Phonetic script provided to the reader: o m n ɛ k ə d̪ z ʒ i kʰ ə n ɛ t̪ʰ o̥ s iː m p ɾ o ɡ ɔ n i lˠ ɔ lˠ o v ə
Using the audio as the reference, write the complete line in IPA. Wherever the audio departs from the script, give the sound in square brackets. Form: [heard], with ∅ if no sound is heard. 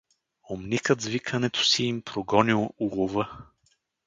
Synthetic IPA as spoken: o m n [i] k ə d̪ z [v] i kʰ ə n ɛ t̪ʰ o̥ s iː m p ɾ o ɡ ɔ n i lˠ [u] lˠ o v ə